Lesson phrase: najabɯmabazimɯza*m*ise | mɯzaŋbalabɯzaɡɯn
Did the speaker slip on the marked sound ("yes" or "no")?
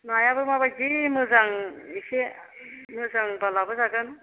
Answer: yes